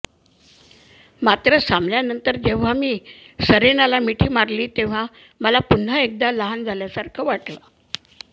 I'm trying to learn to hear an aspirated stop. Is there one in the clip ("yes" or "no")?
yes